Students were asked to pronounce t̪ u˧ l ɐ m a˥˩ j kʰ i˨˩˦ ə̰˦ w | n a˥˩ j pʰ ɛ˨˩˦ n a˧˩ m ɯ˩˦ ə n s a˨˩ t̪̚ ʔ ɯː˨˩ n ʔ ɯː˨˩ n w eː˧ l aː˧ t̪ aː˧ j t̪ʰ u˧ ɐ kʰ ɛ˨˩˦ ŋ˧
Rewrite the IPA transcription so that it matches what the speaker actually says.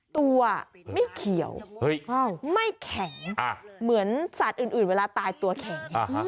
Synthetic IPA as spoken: t̪ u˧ ɐ m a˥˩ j kʰ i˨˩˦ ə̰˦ w | m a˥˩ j kʰ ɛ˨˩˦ ŋ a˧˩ m ɯ˩˦ ə n s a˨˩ t̪̚ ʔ ɯː˨˩ n ʔ ɯː˨˩ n w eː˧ l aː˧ t̪ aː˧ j t̪ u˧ ɐ kʰ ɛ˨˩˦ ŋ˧

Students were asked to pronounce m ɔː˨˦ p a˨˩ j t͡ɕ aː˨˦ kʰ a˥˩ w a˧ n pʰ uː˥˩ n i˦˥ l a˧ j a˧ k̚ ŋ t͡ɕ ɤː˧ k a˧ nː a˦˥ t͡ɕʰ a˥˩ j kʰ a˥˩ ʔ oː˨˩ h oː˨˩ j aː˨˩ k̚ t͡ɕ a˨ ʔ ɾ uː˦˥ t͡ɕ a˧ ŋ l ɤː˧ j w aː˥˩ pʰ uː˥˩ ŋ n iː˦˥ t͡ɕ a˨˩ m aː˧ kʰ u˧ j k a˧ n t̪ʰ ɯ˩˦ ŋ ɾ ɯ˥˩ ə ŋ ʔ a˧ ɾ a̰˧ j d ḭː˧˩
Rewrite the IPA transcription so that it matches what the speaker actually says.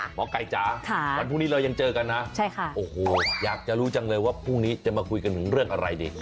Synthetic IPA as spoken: m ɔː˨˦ k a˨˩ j t͡ɕ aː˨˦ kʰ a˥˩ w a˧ n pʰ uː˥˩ n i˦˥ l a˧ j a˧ ŋ t͡ɕ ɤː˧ k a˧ nː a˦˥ t͡ɕʰ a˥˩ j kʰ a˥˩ ʔ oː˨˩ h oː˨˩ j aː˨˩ k̚ t͡ɕ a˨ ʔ ɾ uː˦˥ t͡ɕ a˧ ŋ l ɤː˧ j w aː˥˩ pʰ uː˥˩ ŋ n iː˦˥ t͡ɕ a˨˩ m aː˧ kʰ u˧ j k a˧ n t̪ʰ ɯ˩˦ ŋ ɾ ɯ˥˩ ə ŋ ʔ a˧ ɾ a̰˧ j d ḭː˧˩

